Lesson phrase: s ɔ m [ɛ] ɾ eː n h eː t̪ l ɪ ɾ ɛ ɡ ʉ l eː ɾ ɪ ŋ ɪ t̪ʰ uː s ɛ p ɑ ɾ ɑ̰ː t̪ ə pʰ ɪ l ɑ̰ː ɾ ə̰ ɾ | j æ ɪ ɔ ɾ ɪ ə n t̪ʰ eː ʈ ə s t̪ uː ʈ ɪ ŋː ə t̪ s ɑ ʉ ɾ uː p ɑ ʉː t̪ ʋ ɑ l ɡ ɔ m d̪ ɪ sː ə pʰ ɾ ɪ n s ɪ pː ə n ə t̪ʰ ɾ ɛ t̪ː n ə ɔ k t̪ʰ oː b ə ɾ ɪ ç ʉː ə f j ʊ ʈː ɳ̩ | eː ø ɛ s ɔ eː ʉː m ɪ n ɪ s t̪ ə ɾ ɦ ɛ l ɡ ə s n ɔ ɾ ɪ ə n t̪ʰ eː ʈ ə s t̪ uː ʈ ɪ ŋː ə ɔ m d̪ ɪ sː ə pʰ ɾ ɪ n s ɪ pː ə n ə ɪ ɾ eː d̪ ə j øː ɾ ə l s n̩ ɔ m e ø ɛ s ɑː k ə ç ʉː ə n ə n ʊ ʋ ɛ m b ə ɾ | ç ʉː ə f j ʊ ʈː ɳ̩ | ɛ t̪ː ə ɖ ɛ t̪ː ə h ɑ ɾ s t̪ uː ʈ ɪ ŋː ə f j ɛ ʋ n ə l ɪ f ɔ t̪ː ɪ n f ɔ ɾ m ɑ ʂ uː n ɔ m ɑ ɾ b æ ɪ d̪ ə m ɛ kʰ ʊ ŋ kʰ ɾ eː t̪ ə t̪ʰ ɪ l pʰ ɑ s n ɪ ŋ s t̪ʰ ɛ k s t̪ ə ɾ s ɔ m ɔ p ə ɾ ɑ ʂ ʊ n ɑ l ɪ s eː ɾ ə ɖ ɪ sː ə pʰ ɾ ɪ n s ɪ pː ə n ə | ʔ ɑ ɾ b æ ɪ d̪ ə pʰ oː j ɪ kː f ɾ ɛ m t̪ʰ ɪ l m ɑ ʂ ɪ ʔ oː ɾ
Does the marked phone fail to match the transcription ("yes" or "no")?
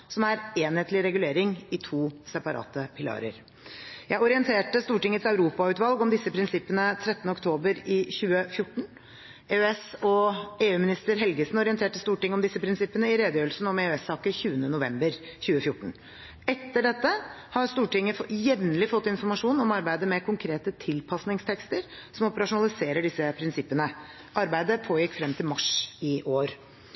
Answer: yes